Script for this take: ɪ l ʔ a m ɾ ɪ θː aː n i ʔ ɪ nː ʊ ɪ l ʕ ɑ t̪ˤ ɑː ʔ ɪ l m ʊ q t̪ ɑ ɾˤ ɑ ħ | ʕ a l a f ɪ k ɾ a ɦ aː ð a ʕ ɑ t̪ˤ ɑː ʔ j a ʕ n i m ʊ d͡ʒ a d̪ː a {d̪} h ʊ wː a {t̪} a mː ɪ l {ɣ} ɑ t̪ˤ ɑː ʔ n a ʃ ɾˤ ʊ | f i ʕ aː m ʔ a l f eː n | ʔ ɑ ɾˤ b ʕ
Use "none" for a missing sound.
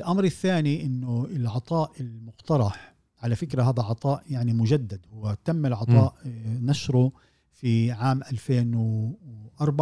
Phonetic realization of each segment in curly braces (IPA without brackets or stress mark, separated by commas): d̪, t̪, ʕ